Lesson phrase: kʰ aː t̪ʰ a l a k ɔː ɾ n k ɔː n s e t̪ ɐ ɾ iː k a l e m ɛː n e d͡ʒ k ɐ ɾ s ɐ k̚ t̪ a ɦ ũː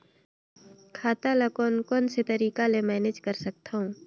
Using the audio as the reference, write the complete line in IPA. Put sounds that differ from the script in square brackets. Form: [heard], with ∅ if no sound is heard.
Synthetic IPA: kʰ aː [t̪] a l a k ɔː [∅] n k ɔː n s e t̪ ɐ ɾ iː k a l e m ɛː n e d͡ʒ k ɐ ɾ s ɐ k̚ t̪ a ɦ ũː